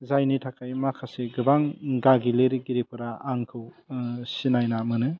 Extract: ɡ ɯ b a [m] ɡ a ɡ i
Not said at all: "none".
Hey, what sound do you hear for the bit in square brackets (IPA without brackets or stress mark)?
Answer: ŋ